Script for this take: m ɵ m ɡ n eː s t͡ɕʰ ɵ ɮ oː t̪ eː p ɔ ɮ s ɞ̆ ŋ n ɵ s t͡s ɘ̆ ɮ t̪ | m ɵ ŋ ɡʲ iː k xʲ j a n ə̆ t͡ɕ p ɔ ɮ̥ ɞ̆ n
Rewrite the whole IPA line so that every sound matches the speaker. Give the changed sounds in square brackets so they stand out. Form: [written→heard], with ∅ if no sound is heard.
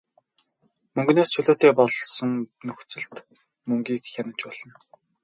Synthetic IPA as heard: m ɵ [m→ŋ] ɡ n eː s t͡ɕʰ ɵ ɮ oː t̪ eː p ɔ ɮ s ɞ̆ ŋ n ɵ [s→x] t͡s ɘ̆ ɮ t̪ | m ɵ ŋ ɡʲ iː k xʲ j a n ə̆ t͡ɕ p ɔ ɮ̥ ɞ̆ n